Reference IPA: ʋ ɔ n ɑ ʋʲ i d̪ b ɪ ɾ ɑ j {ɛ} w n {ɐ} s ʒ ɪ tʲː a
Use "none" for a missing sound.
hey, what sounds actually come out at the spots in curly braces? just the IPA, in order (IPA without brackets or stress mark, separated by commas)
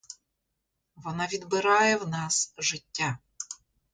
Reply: ɛ, ɑ